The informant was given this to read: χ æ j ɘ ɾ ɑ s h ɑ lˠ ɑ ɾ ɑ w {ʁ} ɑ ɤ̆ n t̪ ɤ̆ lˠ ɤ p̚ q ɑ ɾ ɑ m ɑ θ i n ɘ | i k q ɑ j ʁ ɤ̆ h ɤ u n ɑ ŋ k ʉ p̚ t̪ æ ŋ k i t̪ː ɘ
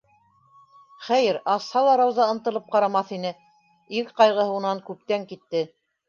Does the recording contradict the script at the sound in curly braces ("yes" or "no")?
yes